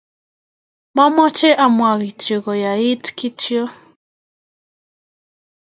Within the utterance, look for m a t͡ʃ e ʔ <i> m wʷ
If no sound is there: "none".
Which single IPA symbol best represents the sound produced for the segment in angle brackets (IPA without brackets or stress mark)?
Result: a